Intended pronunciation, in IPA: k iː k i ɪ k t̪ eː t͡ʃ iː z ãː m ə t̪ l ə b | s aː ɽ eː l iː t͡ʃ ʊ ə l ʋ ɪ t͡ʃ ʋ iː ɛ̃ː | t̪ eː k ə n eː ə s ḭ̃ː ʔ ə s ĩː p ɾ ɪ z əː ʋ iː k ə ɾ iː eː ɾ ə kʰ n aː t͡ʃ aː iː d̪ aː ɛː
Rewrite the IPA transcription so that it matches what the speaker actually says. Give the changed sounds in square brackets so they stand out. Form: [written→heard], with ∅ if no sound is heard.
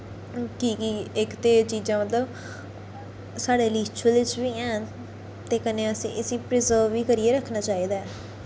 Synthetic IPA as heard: k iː k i ɪ k t̪ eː t͡ʃ iː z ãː m ə t̪ l ə b | s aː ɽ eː l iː t͡ʃ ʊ ə l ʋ ɪ t͡ʃ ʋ iː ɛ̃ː | t̪ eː k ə n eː ə s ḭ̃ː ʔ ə s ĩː p ɾ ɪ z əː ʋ iː k ə ɾ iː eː ɾ ə kʰ n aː t͡ʃ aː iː d̪ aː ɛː